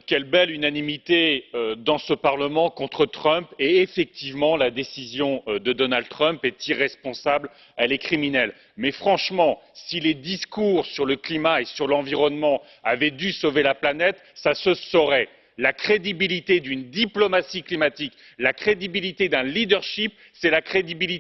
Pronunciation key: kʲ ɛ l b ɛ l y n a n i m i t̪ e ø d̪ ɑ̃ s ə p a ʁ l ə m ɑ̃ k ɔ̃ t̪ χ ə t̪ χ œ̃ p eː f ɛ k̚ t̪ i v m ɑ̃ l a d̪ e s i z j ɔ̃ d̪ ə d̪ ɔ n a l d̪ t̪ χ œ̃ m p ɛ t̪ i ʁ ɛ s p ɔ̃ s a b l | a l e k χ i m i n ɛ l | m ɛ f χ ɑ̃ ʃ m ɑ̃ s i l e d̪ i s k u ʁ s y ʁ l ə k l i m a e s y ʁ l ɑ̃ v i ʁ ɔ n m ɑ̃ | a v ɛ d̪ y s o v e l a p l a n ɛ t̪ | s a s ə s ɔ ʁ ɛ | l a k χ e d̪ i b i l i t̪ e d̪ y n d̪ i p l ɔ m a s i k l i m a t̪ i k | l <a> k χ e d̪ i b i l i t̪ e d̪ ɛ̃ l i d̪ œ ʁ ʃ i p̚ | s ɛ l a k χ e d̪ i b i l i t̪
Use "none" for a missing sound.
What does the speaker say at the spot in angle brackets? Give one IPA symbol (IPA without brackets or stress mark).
a